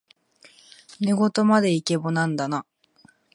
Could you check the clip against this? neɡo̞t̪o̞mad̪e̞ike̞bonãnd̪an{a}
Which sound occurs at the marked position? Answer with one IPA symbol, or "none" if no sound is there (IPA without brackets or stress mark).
a